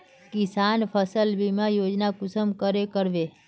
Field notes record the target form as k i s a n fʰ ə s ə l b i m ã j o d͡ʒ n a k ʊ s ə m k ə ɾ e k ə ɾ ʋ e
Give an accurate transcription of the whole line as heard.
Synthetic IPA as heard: k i s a n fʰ ə s ə l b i m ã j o d͡ʒ n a k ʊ s ə m k ə ɾ e k ə ɾ ʋ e